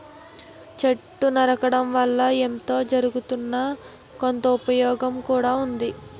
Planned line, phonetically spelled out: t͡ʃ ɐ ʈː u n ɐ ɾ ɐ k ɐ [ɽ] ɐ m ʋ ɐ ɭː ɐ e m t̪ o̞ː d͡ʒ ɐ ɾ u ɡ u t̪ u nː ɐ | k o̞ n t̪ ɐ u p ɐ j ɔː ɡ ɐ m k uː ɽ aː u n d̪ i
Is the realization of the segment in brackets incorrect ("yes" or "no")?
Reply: no